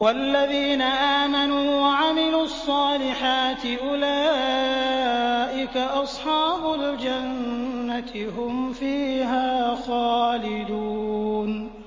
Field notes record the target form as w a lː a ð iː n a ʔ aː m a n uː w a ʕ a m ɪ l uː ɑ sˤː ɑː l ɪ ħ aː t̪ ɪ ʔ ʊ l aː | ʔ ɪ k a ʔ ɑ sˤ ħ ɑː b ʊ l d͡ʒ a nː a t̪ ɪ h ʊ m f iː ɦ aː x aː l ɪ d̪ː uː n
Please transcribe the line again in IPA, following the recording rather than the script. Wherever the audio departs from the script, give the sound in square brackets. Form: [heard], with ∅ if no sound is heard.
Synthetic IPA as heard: w a lː a ð iː n a ʔ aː m a n uː w a ʕ a m ɪ l uː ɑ sˤː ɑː l ɪ ħ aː t̪ ɪ ʔ ʊ l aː | ʔ ɪ k a ʔ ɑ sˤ ħ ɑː b ʊ l d͡ʒ a nː a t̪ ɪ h ʊ m f iː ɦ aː x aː l ɪ [d̪] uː n